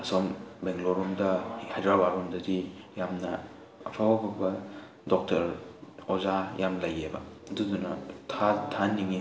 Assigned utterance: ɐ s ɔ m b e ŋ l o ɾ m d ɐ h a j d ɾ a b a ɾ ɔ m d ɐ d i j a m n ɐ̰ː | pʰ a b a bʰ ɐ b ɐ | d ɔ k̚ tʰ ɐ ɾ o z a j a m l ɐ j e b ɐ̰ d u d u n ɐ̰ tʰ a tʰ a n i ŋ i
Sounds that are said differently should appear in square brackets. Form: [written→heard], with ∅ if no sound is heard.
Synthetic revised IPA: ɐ s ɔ m b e ŋ l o ɾ m d ɐ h a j d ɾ a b a ɾ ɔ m d ɐ d i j a m n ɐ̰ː | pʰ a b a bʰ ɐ b ɐ | d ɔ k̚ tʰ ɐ ɾ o z a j a m l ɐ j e b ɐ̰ d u d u n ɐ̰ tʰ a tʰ a n i ŋ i